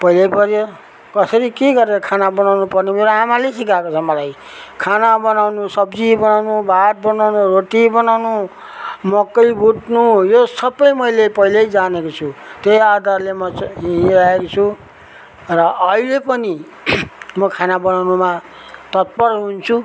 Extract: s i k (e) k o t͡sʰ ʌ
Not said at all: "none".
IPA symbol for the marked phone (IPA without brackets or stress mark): a